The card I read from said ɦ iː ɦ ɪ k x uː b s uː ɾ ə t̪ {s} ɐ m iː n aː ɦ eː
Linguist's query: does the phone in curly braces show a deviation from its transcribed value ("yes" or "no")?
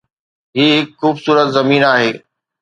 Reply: yes